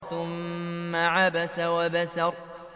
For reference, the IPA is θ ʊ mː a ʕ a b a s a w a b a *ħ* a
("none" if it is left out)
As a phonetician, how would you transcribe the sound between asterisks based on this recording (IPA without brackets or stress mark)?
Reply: s